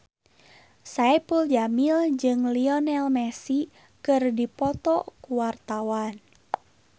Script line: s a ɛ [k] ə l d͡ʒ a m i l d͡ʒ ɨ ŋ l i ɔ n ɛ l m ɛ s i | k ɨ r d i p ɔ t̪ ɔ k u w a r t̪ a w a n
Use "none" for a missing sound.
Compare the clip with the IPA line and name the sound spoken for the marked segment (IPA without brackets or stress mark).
p